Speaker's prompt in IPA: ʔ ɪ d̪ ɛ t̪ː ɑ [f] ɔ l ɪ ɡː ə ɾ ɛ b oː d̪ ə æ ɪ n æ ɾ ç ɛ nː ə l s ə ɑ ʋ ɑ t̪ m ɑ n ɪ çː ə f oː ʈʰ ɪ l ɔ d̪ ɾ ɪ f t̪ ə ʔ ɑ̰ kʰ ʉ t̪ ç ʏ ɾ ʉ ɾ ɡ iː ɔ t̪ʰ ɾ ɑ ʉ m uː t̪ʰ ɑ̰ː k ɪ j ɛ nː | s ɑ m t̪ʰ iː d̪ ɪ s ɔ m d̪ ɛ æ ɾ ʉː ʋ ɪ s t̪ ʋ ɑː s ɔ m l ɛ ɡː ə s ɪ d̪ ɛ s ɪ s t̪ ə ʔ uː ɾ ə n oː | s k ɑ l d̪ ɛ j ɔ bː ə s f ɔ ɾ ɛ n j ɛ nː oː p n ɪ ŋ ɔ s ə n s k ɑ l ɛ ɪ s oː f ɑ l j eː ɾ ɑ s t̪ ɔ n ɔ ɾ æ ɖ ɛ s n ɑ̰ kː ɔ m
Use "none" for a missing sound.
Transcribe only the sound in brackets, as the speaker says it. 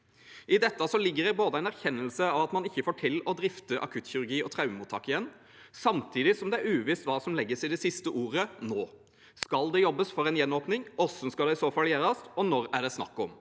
s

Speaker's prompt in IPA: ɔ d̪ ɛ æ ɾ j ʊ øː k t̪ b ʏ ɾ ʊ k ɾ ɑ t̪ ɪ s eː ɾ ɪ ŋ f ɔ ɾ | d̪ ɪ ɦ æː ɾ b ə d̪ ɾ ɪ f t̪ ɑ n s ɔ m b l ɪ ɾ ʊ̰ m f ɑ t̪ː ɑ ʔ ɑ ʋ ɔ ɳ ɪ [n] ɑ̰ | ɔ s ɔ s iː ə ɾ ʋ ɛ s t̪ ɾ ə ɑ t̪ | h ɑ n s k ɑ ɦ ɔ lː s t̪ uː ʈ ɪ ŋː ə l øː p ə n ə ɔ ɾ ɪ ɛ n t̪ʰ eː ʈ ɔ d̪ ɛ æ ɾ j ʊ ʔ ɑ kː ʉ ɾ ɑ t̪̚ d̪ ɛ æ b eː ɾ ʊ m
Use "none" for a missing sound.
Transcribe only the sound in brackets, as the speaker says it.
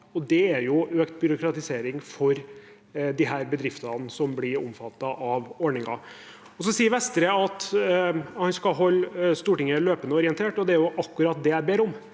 ŋ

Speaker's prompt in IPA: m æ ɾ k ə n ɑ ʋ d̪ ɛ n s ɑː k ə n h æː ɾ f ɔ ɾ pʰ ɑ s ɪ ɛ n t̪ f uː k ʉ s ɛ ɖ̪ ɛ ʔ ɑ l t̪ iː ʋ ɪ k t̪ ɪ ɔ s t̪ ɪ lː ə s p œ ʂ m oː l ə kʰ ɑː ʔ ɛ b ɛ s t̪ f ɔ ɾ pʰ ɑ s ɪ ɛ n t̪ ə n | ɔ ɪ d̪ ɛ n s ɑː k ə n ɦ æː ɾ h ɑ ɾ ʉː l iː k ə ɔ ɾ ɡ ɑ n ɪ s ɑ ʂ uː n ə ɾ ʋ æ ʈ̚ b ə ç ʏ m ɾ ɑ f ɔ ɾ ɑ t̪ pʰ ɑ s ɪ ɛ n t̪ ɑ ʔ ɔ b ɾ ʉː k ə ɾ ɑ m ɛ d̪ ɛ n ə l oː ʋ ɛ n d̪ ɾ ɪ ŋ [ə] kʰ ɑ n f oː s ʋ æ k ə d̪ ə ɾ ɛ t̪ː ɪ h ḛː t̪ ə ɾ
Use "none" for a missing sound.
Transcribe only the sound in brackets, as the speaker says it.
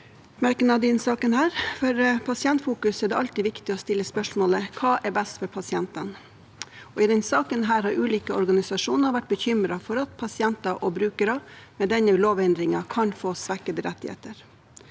ɑ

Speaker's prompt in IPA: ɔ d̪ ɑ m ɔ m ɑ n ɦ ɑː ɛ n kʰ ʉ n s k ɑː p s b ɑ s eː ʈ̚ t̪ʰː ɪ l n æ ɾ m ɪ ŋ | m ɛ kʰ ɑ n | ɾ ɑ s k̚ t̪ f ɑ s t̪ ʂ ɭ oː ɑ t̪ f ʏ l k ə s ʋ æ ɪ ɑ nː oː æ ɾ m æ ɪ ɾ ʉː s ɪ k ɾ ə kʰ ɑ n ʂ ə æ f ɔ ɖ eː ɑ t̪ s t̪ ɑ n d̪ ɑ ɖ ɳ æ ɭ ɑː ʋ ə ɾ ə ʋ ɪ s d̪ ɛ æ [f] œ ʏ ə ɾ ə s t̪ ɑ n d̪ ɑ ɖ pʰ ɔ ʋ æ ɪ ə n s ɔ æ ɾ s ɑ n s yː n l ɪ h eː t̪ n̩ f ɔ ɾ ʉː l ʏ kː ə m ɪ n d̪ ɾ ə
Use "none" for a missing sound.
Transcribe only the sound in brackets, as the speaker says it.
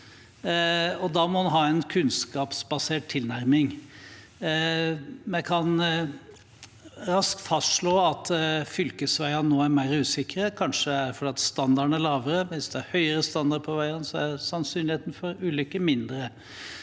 h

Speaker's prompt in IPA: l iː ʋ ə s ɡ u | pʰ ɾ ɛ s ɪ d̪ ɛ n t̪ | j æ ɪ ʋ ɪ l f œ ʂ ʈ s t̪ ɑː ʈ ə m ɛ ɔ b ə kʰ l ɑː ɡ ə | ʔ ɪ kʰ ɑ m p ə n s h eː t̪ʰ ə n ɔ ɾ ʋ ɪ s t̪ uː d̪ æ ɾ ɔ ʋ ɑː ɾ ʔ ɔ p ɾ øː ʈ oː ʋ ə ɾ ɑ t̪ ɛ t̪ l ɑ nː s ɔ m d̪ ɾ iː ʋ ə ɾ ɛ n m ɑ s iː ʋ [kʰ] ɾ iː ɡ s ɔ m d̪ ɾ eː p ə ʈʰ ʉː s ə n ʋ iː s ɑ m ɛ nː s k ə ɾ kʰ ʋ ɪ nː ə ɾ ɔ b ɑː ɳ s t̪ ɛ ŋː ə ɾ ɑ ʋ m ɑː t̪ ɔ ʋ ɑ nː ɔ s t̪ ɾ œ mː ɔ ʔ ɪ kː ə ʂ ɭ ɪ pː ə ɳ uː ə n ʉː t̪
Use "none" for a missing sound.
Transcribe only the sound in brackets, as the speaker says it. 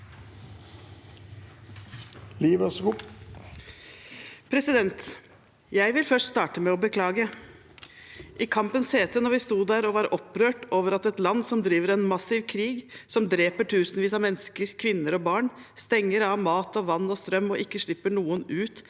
kʰ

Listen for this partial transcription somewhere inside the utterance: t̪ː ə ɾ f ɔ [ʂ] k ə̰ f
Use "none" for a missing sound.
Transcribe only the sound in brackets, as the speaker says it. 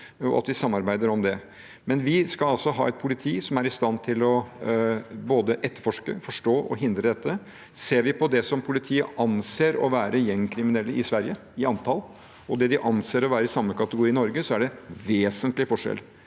ʂ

